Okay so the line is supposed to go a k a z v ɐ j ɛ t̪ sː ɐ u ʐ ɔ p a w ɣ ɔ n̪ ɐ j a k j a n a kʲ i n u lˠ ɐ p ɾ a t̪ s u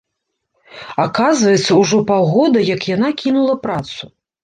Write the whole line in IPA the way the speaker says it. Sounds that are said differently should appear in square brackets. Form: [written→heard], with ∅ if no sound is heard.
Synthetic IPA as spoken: a k a z v ɐ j ɛ t̪ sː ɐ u ʐ ɔ p a w ɣ ɔ [n̪→d̪] ɐ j [a→ɐ] k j a n a kʲ i n u lˠ ɐ p ɾ a t̪ s u

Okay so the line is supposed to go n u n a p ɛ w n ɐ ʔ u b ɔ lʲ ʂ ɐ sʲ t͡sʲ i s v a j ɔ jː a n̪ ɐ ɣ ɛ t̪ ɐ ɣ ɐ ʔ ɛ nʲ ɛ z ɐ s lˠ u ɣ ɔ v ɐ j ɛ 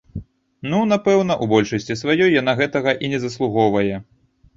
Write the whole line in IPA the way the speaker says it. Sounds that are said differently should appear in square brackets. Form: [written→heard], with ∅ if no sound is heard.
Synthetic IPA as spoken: n u n a p ɛ w n ɐ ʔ u b ɔ lʲ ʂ ɐ sʲ t͡sʲ i s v a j ɔ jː a n̪ [ɐ→a] ɣ ɛ t̪ ɐ ɣ ɐ ʔ [ɛ→i] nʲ ɛ z ɐ s lˠ u ɣ ɔ v ɐ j ɛ

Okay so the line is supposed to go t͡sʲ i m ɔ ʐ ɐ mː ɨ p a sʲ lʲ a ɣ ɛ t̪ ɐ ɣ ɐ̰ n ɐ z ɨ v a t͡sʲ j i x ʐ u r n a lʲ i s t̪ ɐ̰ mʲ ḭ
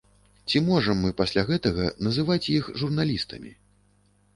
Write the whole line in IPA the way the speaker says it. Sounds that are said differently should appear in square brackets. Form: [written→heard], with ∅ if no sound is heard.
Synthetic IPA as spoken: t͡sʲ i m ɔ ʐ ɐ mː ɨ p a sʲ lʲ a ɣ ɛ t̪ ɐ ɣ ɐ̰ n ɐ z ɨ v a t͡sʲ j i x ʐ u r n a lʲ i s t̪ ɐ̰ mʲ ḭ

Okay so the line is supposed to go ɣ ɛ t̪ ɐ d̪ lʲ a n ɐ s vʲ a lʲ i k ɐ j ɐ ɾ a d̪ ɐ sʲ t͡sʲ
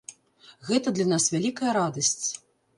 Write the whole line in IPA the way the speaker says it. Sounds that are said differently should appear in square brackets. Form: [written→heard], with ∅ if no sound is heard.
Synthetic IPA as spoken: ɣ ɛ t̪ ɐ d̪ lʲ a n [ɐ→a] s vʲ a lʲ i k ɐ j ɐ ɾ a d̪ ɐ sʲ t͡sʲ

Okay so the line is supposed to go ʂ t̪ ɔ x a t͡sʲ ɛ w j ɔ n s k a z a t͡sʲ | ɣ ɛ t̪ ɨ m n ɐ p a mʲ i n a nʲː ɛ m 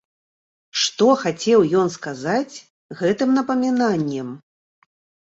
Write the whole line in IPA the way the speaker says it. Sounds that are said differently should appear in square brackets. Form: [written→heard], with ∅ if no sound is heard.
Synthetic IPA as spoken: ʂ t̪ ɔ x a t͡sʲ ɛ w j ɔ n s k a z a t͡sʲ | ɣ ɛ t̪ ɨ m n ɐ p [a→ɐ] mʲ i n a nʲː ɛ m

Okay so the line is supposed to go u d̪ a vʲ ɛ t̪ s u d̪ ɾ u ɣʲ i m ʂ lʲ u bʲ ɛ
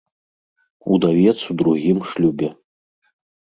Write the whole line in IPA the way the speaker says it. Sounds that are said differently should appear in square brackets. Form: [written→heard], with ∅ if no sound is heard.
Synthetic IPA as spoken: u d̪ a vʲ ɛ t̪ s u d̪ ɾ u ɣʲ i m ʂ lʲ u bʲ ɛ

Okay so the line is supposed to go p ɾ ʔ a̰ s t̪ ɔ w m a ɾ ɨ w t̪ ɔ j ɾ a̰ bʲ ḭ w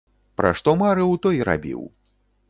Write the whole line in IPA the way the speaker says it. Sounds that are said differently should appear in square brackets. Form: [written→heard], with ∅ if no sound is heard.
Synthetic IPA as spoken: p ɾ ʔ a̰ [s→ʂ] t̪ ɔ [w→∅] m a ɾ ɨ w t̪ ɔ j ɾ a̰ bʲ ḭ w

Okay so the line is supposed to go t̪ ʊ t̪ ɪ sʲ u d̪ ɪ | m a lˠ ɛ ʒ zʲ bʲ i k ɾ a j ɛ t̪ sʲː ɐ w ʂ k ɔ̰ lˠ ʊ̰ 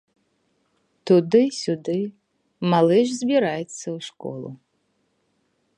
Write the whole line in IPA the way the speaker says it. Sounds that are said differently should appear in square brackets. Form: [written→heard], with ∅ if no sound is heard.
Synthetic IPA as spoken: t̪ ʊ [t̪→d̪] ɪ sʲ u d̪ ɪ | m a lˠ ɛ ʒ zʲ bʲ i [k→∅] ɾ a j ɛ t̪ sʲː ɐ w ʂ k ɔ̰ lˠ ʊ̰

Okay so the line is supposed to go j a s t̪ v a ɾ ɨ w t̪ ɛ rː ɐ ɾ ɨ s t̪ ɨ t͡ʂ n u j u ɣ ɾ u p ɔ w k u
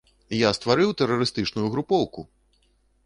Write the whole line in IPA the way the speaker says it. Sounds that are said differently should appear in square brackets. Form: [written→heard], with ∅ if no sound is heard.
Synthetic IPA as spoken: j a s t̪ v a ɾ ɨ w t̪ ɛ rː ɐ ɾ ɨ s t̪ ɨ t͡ʂ n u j u ɣ ɾ u p ɔ w k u

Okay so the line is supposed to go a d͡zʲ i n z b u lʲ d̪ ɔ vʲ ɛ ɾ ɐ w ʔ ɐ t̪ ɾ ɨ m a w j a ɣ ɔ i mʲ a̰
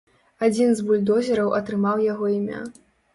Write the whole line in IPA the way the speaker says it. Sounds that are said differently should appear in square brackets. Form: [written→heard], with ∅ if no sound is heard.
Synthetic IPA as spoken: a d͡zʲ i n z b u lʲ d̪ ɔ [vʲ→zʲ] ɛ ɾ ɐ w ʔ ɐ t̪ ɾ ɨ m a w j a ɣ ɔ i mʲ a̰

